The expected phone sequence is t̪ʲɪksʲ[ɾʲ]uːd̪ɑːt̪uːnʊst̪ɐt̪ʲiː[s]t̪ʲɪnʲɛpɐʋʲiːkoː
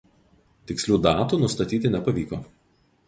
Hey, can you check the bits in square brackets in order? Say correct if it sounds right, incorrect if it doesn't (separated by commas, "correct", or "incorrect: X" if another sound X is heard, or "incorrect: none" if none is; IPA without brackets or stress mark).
incorrect: lʲ, incorrect: none